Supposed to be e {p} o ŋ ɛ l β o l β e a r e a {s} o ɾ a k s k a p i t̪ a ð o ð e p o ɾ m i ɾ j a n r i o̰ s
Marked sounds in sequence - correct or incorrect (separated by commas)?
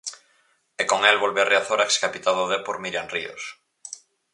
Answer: incorrect, incorrect